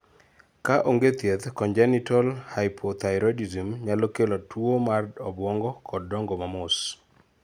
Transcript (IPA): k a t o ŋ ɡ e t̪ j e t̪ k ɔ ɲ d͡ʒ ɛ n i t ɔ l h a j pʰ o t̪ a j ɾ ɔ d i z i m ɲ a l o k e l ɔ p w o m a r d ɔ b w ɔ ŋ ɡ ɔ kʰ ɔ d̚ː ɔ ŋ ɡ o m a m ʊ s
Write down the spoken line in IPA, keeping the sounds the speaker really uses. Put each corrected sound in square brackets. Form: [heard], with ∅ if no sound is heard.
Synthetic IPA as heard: k a [ʔ] o ŋ ɡ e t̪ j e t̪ k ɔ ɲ d͡ʒ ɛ n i t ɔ l h a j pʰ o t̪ a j ɾ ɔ d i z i m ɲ a l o k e l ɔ [t] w o m a r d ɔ b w ɔ ŋ ɡ ɔ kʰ ɔ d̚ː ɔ ŋ ɡ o m a m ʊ s